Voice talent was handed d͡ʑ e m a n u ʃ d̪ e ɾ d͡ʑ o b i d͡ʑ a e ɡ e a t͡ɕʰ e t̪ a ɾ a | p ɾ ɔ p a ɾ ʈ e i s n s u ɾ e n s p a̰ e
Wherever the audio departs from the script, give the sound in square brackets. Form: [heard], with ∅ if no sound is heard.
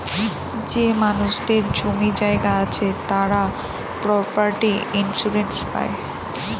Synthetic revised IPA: d͡ʑ e m a n u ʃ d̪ e ɾ d͡ʑ o [m] i d͡ʑ a e ɡ [a] a t͡ɕʰ e t̪ a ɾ a | p ɾ ɔ p a ɾ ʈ [i] i [∅] n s u ɾ e n s p a̰ e